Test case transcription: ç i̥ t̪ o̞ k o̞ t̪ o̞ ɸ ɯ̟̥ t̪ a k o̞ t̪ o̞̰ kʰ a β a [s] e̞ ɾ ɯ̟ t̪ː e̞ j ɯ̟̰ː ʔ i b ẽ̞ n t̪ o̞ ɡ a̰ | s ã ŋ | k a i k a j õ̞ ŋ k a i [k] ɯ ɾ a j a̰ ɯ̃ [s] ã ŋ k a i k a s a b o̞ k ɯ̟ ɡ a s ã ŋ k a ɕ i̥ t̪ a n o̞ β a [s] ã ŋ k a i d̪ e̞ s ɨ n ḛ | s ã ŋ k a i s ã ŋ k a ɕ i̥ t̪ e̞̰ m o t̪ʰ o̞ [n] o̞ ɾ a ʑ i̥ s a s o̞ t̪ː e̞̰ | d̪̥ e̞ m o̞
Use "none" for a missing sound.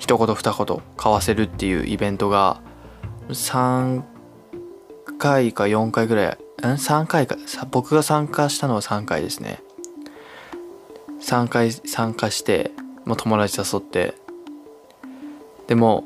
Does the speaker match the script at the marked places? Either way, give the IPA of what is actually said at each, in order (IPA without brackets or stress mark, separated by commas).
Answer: s, ɡ, s, s, m